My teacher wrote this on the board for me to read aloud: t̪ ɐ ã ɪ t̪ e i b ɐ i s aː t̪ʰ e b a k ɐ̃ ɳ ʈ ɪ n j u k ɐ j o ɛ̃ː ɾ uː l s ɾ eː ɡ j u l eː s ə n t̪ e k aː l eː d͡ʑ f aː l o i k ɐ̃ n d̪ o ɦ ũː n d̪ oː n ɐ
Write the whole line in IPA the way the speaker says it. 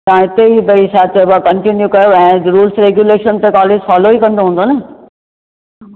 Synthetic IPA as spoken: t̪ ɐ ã ɪ t̪ e i b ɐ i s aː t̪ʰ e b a k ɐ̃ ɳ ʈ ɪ n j u k ɐ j o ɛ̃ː ɾ uː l s ɾ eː ɡ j u l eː ʃ ə n t̪ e k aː l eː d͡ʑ f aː l o i k ɐ̃ n d̪ o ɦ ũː n d̪ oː n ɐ